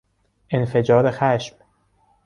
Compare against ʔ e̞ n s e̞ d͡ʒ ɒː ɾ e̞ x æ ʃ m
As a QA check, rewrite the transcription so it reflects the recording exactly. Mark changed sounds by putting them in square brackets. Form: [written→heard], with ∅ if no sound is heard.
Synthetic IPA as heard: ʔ e̞ n [s→f] e̞ d͡ʒ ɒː ɾ e̞ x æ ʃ m